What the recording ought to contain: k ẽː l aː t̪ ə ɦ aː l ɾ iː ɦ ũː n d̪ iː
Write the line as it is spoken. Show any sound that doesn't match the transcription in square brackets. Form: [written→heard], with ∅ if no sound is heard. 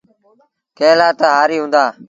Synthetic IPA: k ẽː l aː t̪ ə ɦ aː [l→∅] ɾ iː ɦ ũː n d̪ [iː→aː]